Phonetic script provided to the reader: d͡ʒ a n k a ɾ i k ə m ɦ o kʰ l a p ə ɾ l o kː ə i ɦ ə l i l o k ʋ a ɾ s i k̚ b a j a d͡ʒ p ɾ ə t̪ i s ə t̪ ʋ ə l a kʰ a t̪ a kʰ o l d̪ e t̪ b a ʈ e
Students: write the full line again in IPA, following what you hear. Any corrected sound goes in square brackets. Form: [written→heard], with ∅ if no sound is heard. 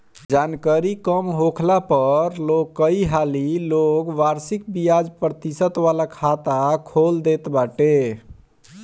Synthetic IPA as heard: d͡ʒ a n k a ɾ i k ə m ɦ o kʰ l a p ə ɾ l o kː ə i ɦ [ə→a] l i l o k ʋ a ɾ s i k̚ b [a→i] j a d͡ʒ p ɾ ə t̪ i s ə t̪ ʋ [ə→a] l a kʰ a t̪ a kʰ o l d̪ e t̪ b a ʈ e